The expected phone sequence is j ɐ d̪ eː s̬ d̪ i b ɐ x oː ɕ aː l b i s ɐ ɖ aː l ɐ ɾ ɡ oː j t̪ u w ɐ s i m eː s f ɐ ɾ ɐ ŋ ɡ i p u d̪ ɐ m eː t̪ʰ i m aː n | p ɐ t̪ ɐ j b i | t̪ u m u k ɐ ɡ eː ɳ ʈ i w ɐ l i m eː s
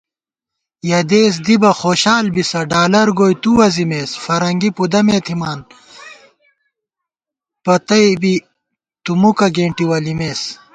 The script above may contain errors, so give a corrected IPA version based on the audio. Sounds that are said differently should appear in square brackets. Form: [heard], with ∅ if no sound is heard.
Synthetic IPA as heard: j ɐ d̪ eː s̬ d̪ i b ɐ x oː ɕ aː l b i s ɐ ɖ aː l ɐ ɾ ɡ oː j t̪ u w ɐ [z] i m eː s f ɐ ɾ ɐ ŋ ɡ i p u d̪ ɐ m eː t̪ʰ i m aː n | p ɐ t̪ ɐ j b i | t̪ u m u k ɐ ɡ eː ɳ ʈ i w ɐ l i m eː s